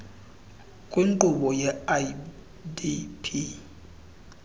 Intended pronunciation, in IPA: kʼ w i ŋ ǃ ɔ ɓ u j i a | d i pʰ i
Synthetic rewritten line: kʼ w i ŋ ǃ u ɓ ɔ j ɛ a | d i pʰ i